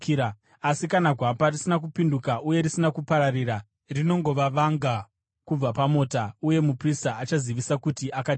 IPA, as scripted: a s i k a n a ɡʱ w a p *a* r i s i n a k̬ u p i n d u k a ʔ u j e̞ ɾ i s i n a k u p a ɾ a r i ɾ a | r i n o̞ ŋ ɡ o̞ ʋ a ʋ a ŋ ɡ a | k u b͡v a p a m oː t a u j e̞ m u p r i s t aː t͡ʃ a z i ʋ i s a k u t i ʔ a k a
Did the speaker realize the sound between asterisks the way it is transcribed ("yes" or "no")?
yes